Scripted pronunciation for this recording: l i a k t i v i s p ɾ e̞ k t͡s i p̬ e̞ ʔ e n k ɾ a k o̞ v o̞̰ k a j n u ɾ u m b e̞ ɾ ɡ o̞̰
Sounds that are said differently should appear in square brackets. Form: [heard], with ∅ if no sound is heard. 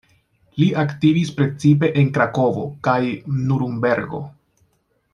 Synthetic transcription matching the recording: l i a k t i v i s p ɾ e̞ [∅] t͡s i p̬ e̞ ʔ e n k ɾ a k o̞ v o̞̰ k a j n u ɾ u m b e̞ ɾ ɡ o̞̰